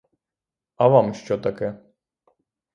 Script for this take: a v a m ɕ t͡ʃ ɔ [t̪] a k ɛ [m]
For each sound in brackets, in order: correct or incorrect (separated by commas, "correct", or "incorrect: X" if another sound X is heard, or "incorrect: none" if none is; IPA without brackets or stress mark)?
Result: correct, incorrect: none